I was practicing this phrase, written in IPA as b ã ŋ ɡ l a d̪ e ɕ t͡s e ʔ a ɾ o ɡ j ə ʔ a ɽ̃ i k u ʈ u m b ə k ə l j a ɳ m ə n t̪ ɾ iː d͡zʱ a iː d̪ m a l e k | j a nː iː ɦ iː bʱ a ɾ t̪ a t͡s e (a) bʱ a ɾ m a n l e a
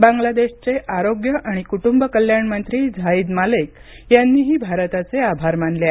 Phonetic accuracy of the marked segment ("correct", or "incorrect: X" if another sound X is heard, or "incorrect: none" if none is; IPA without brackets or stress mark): correct